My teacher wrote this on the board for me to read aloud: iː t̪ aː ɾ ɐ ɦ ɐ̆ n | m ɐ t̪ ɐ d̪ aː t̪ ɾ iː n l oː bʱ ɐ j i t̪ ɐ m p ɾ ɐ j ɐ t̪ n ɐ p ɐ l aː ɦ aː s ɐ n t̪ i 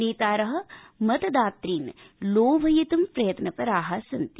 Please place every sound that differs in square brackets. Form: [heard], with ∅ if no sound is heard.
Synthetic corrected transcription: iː t̪ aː ɾ ɐ ɦ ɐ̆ [∅] | m ɐ t̪ ɐ d̪ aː t̪ ɾ iː n l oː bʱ ɐ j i t̪ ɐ m p ɾ ɐ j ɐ t̪ n ɐ p ɐ [ɾ] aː ɦ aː s ɐ n t̪ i